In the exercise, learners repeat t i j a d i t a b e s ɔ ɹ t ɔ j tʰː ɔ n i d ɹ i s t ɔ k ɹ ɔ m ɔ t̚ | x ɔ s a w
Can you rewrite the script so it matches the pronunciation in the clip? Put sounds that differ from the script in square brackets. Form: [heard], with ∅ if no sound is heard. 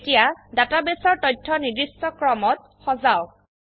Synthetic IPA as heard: t i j a d [a] t a b e s ɔ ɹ t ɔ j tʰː ɔ n i d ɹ i s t ɔ k ɹ ɔ m ɔ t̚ | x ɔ [z] a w